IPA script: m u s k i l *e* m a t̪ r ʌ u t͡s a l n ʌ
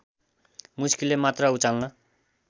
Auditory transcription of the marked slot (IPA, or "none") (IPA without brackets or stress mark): e